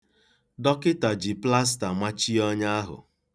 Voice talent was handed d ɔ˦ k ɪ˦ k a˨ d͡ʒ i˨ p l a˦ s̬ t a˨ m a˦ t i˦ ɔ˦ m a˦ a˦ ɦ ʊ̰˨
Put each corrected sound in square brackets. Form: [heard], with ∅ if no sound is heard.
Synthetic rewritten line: d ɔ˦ k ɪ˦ [t] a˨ d͡ʒ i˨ p l a˦ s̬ t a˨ m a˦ [t͡ʃ] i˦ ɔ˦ [ɲ] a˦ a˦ ɦ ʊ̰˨